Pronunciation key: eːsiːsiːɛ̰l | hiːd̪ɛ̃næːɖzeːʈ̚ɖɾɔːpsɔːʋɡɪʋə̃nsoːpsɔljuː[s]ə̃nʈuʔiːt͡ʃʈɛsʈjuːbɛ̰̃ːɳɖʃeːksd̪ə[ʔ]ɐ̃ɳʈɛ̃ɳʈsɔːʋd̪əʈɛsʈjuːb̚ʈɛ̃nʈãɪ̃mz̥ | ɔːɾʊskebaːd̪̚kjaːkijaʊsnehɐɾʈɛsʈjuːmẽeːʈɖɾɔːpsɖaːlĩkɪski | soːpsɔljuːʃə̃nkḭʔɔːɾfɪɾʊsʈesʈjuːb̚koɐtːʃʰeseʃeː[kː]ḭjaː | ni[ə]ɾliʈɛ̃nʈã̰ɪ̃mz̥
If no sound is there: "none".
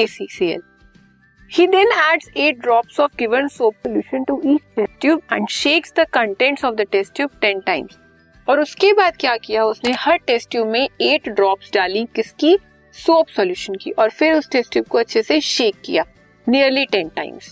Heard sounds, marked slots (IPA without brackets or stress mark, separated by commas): ʃ, k, kː, ə